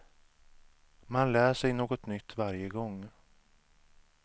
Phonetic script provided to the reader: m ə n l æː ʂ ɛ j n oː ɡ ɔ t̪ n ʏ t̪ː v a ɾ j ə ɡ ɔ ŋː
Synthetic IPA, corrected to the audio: m a n l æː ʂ ɛ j n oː ɡ ɔ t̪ n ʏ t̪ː v a ɾ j ə ɡ ɔ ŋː